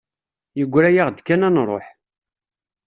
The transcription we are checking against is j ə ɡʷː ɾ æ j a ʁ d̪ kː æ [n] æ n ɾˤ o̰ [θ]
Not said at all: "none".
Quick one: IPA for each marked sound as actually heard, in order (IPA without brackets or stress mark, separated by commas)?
n, ħ